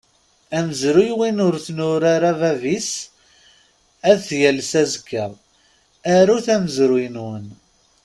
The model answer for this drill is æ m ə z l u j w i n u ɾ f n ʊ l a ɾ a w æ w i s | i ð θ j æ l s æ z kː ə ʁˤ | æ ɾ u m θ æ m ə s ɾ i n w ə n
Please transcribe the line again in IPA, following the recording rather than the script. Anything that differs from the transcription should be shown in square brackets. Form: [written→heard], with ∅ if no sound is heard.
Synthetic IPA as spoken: æ m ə z [l→ɾ] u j w i n [u→ʊ] ɾ [f→θ] n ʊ [l→ɾ] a ɾ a [w→v] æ [w→v] i s | [i→æ] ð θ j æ l s æ z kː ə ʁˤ | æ ɾ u [m→∅] θ æ m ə [s→z] ɾ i n w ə n